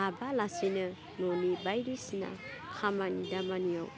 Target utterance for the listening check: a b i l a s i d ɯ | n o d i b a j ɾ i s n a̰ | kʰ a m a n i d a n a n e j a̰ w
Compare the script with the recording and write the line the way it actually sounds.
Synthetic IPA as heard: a b a l a s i n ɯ | n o n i b a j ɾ i s n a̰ | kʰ a m a n i d a m a n i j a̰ w